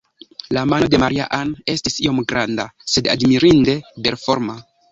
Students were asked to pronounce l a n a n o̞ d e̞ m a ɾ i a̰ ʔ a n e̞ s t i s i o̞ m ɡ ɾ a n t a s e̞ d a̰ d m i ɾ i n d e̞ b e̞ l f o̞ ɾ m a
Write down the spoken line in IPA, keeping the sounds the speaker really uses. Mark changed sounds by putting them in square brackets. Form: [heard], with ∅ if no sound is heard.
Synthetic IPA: l a [m] a n o̞ d e̞ m a ɾ i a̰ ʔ a n e̞ s t i s i o̞ m ɡ ɾ a n [d] a s e̞ d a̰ d m i ɾ i n d e̞ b e̞ [ɾ] f o̞ ɾ m a